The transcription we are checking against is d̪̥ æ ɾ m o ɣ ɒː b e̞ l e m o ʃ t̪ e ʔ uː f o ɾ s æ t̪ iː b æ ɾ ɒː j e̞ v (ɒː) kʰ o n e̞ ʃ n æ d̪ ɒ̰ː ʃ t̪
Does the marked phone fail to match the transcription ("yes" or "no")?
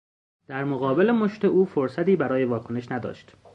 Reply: no